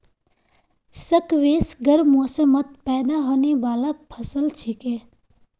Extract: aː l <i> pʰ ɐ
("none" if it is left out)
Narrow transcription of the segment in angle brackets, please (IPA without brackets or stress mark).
a